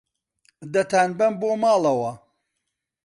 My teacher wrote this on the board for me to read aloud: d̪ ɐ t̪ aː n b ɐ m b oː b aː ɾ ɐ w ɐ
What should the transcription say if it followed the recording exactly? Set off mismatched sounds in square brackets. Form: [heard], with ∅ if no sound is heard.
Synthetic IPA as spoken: d̪ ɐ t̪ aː n b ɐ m b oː [m] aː [l] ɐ w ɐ